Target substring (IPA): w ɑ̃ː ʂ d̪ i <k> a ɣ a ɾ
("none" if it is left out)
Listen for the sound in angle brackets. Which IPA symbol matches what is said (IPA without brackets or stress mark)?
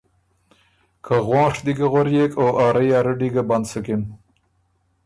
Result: ɡ